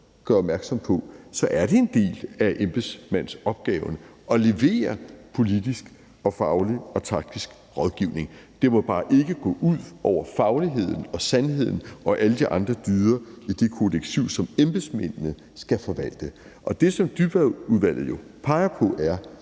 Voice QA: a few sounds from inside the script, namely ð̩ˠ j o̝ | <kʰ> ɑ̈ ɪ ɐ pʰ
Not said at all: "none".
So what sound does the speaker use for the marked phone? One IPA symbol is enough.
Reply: pʰ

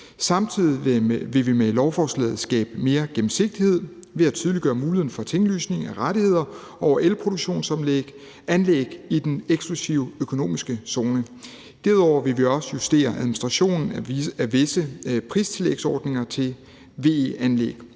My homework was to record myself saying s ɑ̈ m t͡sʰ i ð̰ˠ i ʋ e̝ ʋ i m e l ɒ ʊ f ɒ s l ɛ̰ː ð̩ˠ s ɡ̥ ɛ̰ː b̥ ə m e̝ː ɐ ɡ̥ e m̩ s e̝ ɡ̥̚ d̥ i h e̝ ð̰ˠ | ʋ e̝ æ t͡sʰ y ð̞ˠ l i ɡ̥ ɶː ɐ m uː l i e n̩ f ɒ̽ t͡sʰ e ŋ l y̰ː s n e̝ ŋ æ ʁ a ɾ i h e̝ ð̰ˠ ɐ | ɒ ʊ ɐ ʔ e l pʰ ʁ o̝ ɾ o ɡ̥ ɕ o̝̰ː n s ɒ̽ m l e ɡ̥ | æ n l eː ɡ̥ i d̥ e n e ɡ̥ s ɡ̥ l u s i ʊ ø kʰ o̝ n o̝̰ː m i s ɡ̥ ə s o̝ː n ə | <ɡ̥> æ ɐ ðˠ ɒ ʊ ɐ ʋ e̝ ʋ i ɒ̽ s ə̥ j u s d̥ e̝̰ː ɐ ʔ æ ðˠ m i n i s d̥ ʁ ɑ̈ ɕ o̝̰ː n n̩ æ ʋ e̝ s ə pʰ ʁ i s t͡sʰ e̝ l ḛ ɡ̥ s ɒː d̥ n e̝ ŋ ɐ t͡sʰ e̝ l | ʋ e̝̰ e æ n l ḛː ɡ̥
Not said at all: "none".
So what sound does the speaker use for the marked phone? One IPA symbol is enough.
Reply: d̥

